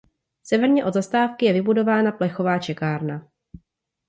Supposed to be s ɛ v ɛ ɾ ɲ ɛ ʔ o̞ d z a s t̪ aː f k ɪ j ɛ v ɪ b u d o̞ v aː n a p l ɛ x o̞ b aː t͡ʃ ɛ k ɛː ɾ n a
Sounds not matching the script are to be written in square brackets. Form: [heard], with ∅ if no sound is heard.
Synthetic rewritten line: s ɛ v ɛ ɾ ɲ ɛ ʔ o̞ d z a s t̪ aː f k ɪ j ɛ v ɪ b u d o̞ v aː n a p l ɛ x o̞ [v] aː t͡ʃ ɛ k [aː] ɾ n a